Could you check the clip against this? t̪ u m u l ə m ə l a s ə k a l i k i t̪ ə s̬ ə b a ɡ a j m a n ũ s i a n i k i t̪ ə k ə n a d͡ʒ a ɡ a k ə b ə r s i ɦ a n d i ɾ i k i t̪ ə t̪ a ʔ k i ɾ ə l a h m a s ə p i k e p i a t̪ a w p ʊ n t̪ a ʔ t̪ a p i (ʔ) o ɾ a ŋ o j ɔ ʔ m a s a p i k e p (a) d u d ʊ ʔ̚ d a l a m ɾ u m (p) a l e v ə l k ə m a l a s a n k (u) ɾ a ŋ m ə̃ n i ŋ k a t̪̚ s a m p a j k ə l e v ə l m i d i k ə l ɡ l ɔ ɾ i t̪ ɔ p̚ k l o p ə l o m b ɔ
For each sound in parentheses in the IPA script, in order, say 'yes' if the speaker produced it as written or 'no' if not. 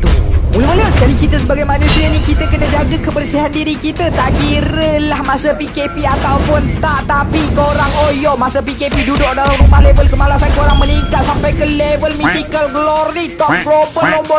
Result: no, no, yes, no

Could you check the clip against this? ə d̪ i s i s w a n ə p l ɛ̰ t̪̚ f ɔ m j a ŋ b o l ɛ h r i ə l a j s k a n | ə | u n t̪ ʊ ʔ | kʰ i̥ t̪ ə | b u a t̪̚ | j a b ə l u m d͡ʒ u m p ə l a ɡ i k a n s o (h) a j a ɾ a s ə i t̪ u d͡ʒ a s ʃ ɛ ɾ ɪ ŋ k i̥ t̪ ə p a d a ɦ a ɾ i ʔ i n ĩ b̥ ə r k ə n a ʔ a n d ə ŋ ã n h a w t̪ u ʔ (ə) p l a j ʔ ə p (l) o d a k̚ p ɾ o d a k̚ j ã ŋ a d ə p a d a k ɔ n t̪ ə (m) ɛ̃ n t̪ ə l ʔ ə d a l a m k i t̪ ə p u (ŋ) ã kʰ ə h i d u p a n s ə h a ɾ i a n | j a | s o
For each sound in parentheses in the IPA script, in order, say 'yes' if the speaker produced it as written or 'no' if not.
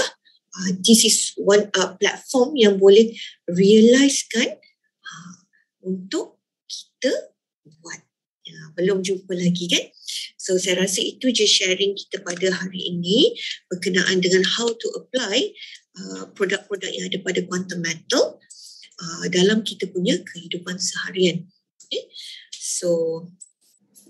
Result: no, yes, no, yes, no

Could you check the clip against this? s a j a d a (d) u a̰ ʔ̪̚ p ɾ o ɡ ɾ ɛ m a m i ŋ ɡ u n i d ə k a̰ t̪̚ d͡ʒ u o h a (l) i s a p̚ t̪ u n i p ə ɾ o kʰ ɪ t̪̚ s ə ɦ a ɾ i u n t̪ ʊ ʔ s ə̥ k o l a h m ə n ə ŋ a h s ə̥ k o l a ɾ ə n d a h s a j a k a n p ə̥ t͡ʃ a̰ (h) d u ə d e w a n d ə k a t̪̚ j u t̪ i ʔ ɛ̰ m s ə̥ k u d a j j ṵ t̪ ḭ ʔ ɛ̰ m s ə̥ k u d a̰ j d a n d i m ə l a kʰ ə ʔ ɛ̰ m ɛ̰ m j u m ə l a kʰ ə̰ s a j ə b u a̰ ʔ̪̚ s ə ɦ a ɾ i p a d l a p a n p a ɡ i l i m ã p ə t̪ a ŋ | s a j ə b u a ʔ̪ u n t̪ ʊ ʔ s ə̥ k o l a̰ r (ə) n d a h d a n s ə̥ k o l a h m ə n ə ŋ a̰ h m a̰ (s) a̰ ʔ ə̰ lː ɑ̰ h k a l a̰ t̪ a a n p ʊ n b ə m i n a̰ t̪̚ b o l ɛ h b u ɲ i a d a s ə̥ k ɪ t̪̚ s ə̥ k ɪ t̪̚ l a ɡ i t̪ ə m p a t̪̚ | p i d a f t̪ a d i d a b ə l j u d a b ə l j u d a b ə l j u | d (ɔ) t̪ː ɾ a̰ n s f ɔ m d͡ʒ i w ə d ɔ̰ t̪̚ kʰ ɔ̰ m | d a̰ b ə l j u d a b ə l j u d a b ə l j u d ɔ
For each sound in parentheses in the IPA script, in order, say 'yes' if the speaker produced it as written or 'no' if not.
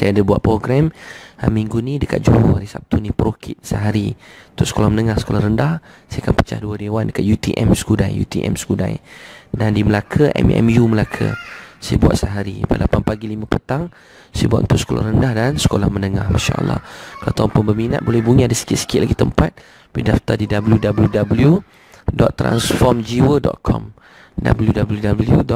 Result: no, no, yes, yes, no, yes

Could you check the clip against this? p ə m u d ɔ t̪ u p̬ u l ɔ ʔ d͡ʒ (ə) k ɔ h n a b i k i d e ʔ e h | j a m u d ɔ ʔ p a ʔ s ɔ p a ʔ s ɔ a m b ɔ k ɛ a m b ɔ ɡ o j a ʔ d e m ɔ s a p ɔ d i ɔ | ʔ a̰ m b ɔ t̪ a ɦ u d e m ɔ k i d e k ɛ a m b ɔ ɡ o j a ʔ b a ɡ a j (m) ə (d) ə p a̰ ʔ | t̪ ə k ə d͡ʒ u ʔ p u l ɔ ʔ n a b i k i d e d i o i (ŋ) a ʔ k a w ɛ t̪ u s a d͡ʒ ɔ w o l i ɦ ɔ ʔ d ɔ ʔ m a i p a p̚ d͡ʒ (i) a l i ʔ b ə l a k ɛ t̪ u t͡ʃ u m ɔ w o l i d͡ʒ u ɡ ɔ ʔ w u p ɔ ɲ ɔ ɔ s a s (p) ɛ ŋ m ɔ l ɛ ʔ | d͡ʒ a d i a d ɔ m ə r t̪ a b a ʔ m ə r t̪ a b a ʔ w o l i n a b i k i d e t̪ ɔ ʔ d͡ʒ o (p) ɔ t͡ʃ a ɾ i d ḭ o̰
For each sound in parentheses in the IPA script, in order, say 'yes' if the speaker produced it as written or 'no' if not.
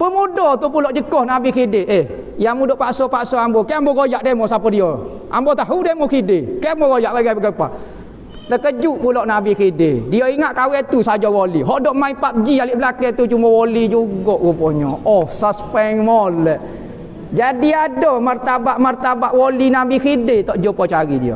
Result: yes, no, no, yes, yes, yes, yes

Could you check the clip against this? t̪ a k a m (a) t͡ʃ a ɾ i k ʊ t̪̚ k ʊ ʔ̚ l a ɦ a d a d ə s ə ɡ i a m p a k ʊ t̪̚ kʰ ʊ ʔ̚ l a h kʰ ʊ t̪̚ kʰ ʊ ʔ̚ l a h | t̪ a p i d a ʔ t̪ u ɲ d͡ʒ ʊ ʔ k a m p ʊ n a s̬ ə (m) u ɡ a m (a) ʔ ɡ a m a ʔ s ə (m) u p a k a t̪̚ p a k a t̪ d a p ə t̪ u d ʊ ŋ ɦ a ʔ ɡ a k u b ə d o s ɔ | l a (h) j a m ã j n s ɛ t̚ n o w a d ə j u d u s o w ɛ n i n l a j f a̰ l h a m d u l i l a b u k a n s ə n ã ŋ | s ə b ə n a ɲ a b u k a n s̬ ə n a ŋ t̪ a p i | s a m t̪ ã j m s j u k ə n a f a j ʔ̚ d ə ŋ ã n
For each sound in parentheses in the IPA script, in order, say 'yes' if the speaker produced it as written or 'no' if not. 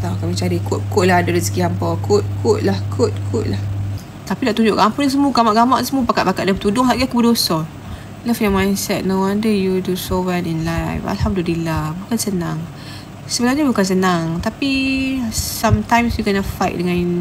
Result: no, yes, yes, yes, no

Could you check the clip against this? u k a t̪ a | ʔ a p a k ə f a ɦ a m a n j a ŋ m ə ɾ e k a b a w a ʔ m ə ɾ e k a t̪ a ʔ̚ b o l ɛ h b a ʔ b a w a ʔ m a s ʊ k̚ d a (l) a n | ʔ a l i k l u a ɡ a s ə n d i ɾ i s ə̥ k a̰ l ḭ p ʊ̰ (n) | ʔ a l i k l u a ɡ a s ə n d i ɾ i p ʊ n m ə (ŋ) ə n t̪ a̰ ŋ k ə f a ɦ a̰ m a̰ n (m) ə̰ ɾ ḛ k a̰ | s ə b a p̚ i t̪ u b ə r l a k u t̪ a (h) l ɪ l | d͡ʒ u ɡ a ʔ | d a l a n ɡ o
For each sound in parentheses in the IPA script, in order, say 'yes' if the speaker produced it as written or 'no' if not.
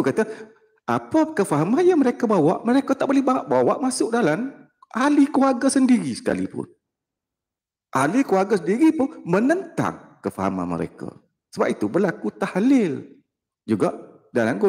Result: yes, yes, no, yes, yes

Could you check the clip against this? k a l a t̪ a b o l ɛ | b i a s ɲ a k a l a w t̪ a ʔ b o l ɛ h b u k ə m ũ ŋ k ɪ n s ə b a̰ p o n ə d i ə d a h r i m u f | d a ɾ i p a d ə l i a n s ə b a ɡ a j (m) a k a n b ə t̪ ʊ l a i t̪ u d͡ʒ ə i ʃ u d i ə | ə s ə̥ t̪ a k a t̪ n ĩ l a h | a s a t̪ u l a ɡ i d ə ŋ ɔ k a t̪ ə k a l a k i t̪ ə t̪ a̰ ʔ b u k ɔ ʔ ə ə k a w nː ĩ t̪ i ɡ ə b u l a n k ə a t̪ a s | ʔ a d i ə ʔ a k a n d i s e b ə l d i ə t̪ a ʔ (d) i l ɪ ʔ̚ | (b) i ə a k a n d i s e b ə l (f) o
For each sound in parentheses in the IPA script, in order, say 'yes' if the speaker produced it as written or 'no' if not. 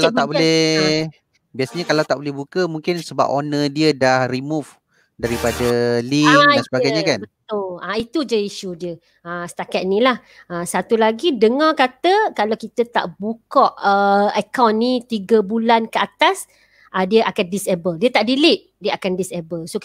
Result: no, yes, no, no

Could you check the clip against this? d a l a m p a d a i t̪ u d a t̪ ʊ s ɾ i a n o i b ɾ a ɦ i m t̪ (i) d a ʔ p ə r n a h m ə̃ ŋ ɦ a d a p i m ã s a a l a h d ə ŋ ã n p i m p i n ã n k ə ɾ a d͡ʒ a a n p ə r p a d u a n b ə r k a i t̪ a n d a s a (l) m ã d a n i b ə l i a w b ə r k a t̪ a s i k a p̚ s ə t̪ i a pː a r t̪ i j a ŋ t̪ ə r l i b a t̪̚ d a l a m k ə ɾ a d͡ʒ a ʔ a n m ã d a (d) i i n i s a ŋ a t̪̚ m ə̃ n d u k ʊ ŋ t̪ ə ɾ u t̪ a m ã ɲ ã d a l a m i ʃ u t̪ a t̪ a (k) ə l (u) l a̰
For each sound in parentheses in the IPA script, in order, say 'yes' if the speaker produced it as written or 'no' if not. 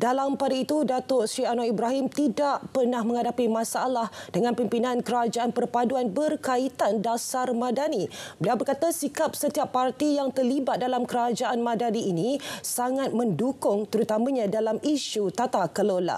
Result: yes, no, no, yes, no

